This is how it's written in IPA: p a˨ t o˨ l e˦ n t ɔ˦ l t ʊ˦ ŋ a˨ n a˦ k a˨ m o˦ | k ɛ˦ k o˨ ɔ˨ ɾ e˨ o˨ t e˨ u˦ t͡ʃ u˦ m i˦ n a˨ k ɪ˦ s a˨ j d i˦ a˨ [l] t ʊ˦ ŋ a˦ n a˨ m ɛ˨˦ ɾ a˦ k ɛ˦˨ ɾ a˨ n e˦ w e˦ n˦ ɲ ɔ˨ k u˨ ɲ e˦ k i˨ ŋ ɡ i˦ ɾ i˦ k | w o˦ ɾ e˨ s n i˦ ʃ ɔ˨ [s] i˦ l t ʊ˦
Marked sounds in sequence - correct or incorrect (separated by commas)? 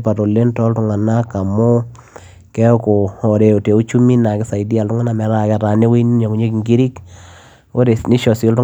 correct, correct